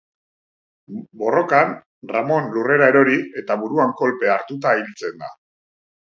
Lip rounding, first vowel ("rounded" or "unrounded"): rounded